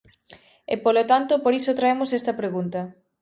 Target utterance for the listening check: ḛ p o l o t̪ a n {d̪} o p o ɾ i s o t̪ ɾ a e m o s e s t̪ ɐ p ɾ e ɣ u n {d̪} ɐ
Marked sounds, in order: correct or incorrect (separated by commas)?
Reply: incorrect, incorrect